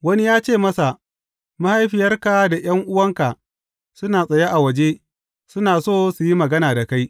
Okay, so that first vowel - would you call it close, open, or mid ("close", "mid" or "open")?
open